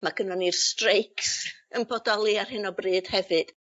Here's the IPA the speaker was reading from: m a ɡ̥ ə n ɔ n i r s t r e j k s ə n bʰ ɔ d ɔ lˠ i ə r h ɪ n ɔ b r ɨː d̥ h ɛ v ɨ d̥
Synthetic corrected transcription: m a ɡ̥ ə n ɔ n i r s t r e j k s ə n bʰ ɔ d ɔ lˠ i a r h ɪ n ɔ b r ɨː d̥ h ɛ v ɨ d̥